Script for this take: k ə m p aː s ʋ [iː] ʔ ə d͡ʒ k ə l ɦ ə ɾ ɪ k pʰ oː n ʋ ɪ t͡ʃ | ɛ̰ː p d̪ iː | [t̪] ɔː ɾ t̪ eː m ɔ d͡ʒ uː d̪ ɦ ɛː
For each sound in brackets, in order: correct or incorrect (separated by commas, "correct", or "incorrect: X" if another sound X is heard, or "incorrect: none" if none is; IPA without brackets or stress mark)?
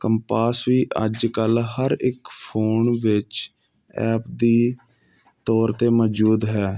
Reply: correct, correct